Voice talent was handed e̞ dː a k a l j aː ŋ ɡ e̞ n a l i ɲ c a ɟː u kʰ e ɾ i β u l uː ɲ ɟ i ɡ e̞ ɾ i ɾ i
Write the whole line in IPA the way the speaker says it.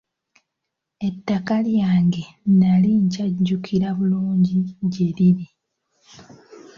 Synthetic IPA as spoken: e̞ tː a k a l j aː ŋ ɡ e̞ n a l i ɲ c a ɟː u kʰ i ɾ a β u l uː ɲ ɟ i ɟ e̞ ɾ i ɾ i